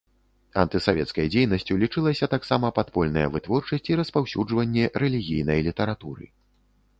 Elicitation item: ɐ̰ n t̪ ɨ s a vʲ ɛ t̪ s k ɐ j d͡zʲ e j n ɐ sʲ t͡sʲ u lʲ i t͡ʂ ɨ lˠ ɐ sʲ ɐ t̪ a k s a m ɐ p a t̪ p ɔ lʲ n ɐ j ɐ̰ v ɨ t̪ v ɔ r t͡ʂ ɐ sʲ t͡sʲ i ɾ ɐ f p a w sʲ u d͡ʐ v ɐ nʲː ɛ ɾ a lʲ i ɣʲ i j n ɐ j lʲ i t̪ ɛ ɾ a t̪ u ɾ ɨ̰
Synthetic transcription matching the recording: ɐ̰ n t̪ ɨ s a vʲ ɛ t̪ s k ɐ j d͡zʲ e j n ɐ sʲ t͡sʲ u lʲ i t͡ʂ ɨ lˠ ɐ sʲ ɐ t̪ a k s a m ɐ p a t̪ p ɔ lʲ n ɐ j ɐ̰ v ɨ t̪ v ɔ r t͡ʂ ɐ sʲ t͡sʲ i ɾ ɐ s p a w sʲ u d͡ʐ v ɐ nʲː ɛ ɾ ɛ lʲ i ɣʲ i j n ɐ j lʲ i t̪ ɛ ɾ a t̪ u ɾ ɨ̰